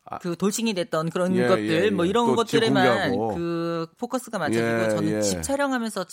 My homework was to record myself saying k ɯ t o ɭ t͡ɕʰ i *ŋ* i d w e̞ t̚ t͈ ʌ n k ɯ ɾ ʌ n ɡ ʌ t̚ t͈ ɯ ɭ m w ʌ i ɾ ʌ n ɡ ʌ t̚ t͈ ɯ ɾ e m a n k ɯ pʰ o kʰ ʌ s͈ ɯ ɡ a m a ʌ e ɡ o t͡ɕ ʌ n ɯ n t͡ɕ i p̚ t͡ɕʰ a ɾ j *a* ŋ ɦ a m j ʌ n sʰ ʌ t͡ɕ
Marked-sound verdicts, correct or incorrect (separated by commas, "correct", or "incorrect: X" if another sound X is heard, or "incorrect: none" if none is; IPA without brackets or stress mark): correct, incorrect: ʌ